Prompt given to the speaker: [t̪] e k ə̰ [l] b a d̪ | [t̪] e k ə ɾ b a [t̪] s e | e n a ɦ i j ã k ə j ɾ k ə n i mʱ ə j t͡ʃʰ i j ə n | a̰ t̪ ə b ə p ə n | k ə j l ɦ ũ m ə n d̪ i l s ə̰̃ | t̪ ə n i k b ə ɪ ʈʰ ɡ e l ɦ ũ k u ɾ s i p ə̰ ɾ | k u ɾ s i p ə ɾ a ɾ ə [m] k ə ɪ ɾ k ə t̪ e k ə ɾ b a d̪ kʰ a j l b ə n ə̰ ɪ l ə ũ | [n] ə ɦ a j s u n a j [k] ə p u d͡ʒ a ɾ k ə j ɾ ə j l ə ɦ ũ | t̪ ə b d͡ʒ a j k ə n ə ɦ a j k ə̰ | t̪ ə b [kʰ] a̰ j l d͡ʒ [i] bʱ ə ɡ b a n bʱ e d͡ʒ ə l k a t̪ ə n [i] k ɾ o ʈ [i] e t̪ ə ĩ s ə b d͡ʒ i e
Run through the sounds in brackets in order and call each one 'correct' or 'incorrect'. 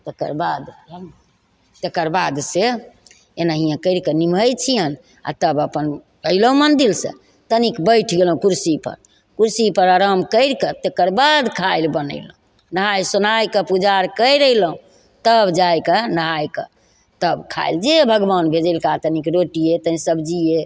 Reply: correct, incorrect: ɾ, correct, incorrect: d̪, correct, correct, correct, correct, incorrect: e, correct, correct

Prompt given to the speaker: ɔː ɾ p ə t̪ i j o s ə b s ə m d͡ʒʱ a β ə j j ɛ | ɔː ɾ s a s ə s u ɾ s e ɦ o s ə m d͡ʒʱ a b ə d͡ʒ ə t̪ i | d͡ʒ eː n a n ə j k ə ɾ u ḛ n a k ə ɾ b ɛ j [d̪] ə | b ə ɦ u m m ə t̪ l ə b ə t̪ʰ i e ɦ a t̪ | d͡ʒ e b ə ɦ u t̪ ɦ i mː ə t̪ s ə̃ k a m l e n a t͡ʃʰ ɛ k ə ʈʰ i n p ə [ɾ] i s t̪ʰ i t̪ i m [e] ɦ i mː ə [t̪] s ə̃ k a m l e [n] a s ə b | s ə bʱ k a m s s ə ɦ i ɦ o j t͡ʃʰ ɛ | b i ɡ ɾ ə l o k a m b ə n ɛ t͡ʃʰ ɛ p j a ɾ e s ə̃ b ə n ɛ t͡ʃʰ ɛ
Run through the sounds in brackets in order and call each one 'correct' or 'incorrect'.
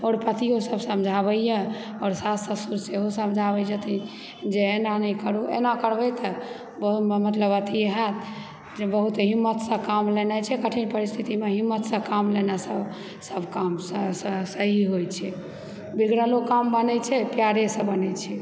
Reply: incorrect: t̪, correct, correct, correct, correct

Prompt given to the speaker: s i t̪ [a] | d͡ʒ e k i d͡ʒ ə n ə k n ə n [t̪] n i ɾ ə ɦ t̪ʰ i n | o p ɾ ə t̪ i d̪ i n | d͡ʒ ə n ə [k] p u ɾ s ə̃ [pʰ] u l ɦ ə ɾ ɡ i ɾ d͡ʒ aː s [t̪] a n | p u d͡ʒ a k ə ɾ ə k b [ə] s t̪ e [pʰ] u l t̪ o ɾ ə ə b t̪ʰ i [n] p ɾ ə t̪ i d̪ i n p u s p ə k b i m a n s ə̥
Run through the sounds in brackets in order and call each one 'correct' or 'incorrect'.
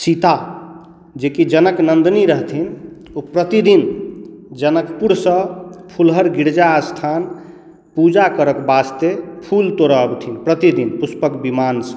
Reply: correct, incorrect: d̪, correct, correct, incorrect: t̪ʰ, incorrect: a, correct, correct

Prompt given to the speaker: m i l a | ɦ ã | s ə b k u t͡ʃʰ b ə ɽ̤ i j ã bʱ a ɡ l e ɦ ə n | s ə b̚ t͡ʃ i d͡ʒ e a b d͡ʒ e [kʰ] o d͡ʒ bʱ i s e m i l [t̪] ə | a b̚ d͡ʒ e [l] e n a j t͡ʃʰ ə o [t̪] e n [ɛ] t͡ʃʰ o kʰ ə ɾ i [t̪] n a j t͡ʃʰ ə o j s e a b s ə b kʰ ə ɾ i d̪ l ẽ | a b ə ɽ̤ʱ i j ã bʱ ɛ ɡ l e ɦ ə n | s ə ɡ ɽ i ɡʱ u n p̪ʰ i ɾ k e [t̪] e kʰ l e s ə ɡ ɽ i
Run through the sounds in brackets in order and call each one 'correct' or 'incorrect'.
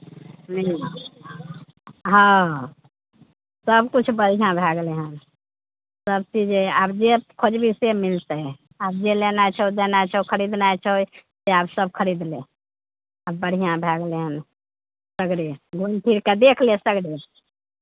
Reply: correct, correct, correct, incorrect: d̪, incorrect: a, incorrect: d̪, incorrect: d̪

